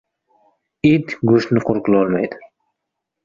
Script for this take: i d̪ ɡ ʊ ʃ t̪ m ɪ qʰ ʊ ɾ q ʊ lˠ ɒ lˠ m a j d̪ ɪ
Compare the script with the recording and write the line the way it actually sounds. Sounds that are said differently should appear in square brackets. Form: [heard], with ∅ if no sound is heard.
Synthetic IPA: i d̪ ɡ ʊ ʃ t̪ [n] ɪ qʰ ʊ ɾ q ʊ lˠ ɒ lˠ m a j d̪ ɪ